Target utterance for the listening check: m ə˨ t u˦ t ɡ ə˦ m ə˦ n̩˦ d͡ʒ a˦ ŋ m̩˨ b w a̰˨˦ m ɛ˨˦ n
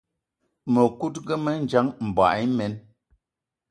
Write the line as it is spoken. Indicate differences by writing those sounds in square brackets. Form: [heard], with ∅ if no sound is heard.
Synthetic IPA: m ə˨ [k] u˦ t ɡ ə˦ m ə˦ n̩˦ d͡ʒ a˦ ŋ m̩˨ b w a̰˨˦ m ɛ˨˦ n

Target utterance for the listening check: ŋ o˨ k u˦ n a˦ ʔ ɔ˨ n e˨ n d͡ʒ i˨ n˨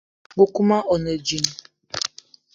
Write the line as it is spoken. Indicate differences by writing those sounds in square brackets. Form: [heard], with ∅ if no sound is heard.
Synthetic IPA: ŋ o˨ k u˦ [m] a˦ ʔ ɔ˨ n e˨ [∅] d͡ʒ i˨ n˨

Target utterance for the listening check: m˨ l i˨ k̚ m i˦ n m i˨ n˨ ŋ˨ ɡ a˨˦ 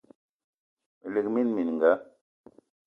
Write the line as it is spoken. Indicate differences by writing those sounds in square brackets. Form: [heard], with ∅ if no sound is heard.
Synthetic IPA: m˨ l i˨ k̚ m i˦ n m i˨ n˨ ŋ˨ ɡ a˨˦

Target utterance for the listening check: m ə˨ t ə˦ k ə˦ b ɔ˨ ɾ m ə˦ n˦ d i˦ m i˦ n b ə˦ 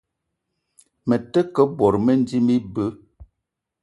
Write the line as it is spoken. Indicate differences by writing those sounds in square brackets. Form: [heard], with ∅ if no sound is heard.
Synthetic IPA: m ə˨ t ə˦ k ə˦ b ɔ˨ ɾ m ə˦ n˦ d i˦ m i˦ [∅] b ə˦

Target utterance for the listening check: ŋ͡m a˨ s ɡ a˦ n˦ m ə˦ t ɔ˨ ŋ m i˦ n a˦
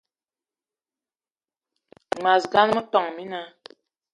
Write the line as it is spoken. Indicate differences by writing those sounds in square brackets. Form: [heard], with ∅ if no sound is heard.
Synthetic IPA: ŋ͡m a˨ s ɡ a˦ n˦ m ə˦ t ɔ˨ ŋ m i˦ n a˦

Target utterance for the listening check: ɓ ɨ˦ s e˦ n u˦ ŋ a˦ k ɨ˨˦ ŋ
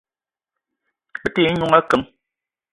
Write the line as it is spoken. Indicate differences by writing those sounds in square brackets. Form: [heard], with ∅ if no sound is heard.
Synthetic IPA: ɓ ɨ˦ [t] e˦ [ɲ] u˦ ŋ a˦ k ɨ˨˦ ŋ

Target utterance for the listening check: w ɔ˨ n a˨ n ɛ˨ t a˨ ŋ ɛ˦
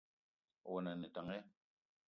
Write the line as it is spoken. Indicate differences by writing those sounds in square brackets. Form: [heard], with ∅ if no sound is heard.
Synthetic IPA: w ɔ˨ n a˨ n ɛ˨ t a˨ ŋ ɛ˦

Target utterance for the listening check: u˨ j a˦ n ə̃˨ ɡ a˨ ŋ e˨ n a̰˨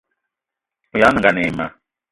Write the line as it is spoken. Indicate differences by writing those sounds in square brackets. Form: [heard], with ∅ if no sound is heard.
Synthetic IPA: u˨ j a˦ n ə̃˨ ɡ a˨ [n] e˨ [m] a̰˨

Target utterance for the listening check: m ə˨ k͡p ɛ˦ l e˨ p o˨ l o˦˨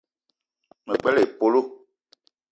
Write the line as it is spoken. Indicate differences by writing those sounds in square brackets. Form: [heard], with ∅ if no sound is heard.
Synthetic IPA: m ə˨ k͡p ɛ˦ l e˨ p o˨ l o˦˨

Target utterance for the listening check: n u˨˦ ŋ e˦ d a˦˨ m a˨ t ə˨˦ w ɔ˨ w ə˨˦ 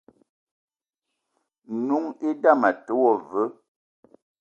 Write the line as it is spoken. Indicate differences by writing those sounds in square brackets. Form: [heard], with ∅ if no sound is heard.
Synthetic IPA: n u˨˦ ŋ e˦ d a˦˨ m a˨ t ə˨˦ w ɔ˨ [v] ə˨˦

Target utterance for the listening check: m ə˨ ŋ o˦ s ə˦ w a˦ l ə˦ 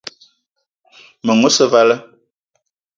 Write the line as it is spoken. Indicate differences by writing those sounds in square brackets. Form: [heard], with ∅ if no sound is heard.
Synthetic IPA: m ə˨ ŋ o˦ s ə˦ [v] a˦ l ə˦

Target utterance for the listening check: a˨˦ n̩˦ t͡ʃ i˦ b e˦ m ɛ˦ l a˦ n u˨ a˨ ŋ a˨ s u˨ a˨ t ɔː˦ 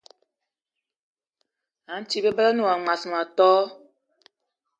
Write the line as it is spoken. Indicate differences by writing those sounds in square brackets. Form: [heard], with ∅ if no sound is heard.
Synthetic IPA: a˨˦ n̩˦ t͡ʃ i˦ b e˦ [b] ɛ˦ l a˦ n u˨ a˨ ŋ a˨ s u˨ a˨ t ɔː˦

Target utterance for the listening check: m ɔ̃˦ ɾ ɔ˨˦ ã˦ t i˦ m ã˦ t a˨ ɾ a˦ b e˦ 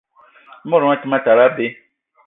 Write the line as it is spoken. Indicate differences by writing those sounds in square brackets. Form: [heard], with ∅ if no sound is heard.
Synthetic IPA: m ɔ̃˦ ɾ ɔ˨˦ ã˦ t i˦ m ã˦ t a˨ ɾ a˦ b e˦

